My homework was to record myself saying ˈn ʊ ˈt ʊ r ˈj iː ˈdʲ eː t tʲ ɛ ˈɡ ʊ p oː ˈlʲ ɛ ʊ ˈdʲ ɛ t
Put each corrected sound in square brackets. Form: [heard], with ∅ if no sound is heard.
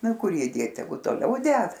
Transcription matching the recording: ˈn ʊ [ˈk] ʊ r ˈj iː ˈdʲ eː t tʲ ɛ ˈɡ ʊ [t] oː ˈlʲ ɛ ʊ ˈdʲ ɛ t